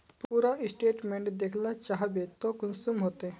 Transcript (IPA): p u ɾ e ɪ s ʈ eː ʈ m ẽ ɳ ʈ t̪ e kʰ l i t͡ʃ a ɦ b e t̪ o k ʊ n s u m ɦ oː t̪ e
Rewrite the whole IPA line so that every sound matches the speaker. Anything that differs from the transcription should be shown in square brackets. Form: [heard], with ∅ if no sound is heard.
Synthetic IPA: p u ɾ [a] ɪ s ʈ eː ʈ m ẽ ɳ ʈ [d̪] e kʰ l [a] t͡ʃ a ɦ b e t̪ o k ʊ n s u m ɦ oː t̪ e